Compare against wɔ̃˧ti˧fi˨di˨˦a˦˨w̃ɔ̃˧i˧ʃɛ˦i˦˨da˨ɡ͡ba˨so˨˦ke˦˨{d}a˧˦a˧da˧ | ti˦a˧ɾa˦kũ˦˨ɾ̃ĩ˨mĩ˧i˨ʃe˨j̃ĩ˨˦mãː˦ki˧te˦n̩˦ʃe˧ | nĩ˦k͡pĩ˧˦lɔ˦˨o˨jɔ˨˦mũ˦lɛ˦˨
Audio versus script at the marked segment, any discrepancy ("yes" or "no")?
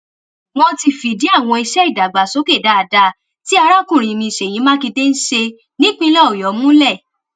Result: no